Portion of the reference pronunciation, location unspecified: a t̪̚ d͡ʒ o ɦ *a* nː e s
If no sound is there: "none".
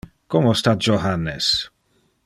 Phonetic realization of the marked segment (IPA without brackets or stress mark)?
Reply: a